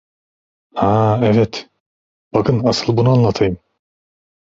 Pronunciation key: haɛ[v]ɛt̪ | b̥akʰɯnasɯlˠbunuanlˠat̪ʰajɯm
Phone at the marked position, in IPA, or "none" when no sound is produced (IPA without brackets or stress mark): v